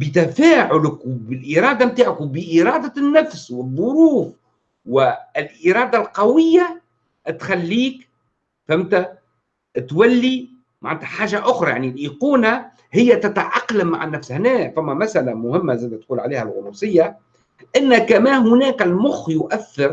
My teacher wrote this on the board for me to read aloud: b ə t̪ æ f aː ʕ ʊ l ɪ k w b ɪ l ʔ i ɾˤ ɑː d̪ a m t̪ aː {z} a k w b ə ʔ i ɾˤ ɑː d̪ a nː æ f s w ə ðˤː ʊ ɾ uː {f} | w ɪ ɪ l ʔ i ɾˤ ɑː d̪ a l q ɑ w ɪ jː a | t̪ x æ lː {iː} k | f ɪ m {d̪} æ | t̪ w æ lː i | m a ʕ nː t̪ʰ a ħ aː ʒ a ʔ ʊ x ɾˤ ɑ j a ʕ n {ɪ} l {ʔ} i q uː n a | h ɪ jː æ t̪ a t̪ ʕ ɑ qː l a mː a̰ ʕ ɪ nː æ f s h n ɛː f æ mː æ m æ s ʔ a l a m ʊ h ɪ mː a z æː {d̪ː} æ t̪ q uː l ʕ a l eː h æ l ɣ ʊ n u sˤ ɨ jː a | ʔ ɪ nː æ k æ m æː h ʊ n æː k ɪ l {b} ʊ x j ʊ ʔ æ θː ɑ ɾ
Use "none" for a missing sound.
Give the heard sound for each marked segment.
ʕ, f, iː, t̪, i, ʔ, d̪, m

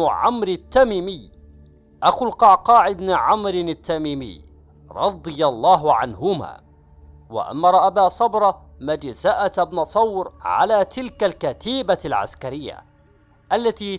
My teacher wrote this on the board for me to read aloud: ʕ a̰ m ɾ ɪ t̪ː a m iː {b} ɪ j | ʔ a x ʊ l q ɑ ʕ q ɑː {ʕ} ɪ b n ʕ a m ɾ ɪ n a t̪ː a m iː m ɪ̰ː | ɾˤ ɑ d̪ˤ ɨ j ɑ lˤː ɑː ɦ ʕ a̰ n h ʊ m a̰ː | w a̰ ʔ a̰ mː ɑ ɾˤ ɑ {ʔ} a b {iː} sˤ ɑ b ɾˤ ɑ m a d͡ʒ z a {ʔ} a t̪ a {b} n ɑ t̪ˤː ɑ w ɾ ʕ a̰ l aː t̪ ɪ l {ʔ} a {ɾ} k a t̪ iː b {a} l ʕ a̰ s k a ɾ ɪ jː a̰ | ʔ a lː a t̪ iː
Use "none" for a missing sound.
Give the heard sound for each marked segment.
m, ʕ, ʔ, aː, ʔ, b, k, l, a

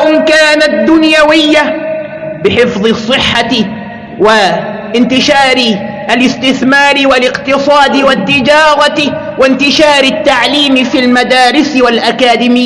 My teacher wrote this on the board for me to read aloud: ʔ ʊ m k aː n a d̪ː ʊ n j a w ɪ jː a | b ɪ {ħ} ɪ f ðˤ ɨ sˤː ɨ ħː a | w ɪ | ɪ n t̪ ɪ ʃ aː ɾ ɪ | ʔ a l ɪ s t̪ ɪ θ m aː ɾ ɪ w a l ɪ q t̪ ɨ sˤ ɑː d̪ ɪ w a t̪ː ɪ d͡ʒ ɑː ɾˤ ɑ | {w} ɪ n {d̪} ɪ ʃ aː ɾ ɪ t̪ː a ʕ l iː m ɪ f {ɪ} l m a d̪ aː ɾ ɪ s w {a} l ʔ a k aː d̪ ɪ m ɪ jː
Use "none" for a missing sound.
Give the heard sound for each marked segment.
ħ, w, t̪, i, a

